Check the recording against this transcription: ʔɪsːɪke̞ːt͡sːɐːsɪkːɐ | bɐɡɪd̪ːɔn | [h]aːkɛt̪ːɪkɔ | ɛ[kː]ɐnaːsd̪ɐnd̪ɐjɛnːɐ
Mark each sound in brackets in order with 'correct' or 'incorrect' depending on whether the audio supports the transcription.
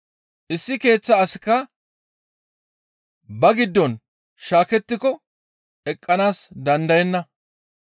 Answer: incorrect: ʃ, incorrect: kʼː

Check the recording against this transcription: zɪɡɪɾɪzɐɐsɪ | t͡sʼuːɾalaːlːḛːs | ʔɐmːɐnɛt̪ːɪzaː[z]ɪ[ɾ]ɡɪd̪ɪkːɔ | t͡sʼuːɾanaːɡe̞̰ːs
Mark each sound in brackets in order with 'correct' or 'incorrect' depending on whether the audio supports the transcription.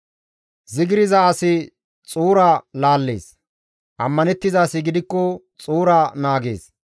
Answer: incorrect: s, incorrect: none

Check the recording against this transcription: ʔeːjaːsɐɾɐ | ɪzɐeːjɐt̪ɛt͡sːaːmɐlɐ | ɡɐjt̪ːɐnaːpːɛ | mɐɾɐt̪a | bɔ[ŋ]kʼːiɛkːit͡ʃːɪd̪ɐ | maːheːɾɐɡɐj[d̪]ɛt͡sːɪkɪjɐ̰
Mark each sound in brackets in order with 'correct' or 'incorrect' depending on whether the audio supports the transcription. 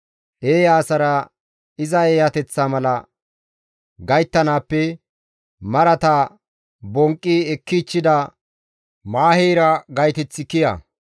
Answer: correct, incorrect: t̪

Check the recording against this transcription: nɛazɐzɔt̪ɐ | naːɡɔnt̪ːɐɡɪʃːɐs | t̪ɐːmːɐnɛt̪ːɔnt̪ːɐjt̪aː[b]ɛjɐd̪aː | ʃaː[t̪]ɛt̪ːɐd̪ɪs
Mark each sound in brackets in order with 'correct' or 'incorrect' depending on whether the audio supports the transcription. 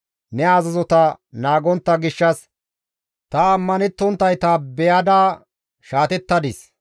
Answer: correct, correct

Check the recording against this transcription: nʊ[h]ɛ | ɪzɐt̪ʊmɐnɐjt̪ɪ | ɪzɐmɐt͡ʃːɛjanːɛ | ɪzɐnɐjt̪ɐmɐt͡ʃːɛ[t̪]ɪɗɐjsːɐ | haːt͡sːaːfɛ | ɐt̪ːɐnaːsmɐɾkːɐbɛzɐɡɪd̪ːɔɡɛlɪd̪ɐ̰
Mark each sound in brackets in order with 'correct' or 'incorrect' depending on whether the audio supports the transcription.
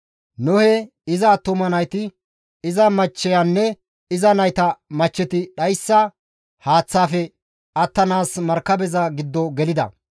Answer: correct, correct

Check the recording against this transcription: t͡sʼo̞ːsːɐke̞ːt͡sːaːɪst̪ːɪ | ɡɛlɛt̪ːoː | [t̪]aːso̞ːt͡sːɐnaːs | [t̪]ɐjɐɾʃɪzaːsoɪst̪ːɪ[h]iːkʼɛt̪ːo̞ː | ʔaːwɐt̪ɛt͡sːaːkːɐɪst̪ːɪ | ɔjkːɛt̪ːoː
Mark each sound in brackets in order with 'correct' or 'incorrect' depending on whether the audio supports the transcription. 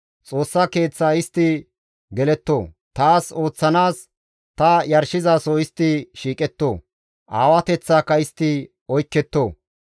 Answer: correct, correct, incorrect: ʃ

